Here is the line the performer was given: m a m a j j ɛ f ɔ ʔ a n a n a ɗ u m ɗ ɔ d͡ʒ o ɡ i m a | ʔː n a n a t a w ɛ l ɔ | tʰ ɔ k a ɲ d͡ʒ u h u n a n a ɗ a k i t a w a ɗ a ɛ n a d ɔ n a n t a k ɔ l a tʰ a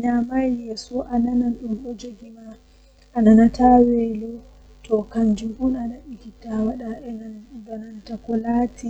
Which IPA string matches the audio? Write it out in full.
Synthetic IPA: ɲ a m a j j ɛ s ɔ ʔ a n a n a ɗ u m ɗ ɔ d͡ʒ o ɡ i m a | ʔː n a n a t a w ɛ l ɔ | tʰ ɔ k a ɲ d͡ʒ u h u n a n a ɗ i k i t a w a ɗ a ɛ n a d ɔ n a n t a k ɔ l a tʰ i